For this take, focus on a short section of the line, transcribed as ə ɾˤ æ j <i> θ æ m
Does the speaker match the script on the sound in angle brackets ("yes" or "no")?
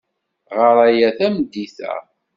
no